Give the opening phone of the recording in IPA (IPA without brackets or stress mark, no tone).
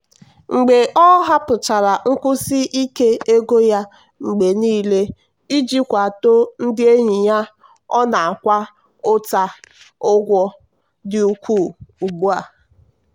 ŋ͡m̩